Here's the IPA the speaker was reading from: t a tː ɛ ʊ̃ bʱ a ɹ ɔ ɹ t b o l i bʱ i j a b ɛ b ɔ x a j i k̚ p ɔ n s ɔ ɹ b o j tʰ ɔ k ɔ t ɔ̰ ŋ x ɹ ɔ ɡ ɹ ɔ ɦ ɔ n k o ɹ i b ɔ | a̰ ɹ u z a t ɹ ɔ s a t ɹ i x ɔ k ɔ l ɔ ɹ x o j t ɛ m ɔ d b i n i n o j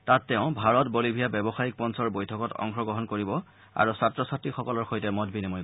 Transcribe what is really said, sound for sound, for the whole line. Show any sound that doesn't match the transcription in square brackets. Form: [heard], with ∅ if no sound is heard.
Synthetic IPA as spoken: t a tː ɛ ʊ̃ bʱ a ɹ ɔ [∅] t b o l i bʱ i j a b ɛ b ɔ x a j i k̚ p ɔ n s ɔ ɹ b o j tʰ ɔ k ɔ t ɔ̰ ŋ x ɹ ɔ ɡ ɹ ɔ ɦ ɔ n k o ɹ i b ɔ | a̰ ɹ u [s] a t ɹ ɔ s a t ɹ i x ɔ k ɔ l ɔ ɹ x o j t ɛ m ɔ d b i n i [m] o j